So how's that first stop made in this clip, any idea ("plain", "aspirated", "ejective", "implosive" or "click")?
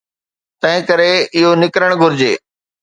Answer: plain